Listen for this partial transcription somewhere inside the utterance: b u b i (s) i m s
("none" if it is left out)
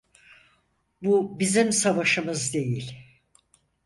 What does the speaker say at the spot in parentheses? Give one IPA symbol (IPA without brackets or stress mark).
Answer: z